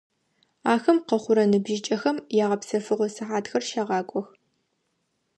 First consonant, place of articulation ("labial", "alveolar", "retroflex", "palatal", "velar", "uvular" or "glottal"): velar